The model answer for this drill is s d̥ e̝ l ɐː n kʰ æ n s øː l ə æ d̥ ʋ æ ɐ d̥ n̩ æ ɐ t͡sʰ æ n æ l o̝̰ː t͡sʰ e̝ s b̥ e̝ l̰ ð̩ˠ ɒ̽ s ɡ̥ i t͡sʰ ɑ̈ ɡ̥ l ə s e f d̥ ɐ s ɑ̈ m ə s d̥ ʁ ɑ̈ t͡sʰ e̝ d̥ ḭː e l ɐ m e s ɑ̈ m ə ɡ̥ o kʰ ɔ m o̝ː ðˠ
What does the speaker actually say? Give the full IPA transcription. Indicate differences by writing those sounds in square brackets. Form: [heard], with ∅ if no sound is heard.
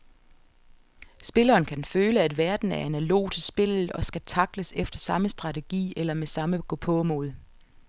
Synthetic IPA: s [b̥] e̝ l ɐː n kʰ æ n [f] øː l ə æ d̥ ʋ æ ɐ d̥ n̩ æ ɐ [∅] æ n æ l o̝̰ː t͡sʰ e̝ s b̥ e̝ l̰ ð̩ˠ ɒ̽ s ɡ̥ [æ] t͡sʰ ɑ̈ ɡ̥ l ə s e f d̥ ɐ s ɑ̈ m ə s d̥ ʁ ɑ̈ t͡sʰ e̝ [ɡ̥] ḭː e l ɐ m e s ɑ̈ m ə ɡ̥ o [pʰ] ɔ m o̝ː ðˠ